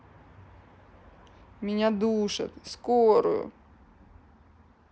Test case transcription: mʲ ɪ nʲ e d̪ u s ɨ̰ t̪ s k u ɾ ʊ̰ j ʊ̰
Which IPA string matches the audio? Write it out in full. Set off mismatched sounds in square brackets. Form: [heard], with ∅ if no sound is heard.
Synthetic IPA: mʲ ɪ nʲ [a] d̪ u [ʂ] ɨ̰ t̪ s k [o] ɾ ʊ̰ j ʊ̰

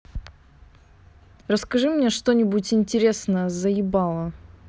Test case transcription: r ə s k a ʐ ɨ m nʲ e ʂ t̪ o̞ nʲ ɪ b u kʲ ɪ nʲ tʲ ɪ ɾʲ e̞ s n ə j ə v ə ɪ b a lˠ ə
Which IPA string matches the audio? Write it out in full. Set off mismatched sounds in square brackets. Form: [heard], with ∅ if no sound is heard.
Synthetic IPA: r ə s k [ɐ] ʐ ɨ m nʲ e ʂ t̪ o̞ nʲ ɪ b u [tʲ] ɪ nʲ tʲ ɪ ɾʲ e̞ s n ə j ə [z] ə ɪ b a lˠ ə

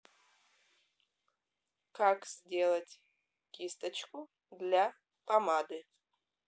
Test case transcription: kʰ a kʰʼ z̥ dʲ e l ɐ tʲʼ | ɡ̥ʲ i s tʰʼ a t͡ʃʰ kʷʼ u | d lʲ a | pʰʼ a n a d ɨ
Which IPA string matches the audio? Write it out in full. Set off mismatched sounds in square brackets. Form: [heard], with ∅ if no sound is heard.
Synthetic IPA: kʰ a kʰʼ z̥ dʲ e l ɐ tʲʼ | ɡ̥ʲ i s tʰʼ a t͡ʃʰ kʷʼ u | d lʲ a | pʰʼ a [m] a d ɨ

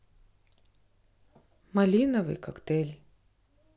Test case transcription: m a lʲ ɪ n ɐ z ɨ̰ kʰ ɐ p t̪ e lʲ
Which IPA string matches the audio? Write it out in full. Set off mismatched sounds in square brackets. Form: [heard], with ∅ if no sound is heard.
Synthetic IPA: m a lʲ [i] n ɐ [v] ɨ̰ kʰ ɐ [k] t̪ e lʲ

